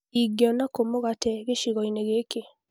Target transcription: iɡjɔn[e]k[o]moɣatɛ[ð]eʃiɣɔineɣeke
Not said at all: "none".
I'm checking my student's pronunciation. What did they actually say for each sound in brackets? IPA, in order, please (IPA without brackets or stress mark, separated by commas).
a, o, ɣ